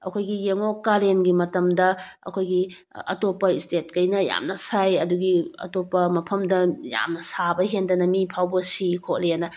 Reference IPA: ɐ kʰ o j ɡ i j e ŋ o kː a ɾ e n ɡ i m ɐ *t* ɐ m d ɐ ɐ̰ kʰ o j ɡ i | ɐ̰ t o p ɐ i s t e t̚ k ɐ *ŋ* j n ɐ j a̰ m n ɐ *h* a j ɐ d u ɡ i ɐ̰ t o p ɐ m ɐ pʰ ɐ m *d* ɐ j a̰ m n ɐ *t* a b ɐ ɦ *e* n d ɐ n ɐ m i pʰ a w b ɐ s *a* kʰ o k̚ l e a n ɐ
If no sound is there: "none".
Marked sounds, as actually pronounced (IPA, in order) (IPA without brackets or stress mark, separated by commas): t, none, s, d, s, e, i